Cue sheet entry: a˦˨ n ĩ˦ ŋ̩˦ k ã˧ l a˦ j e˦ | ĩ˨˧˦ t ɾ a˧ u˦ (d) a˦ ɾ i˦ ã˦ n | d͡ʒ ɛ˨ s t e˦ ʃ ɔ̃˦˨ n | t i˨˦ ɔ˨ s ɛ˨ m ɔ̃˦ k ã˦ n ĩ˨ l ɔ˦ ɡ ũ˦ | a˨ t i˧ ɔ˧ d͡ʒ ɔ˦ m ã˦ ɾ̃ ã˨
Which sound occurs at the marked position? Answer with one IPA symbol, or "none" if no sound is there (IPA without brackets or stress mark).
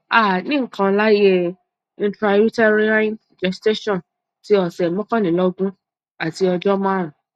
t